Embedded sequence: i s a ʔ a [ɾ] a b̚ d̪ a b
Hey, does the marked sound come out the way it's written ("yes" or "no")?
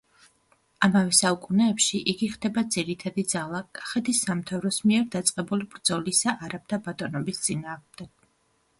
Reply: yes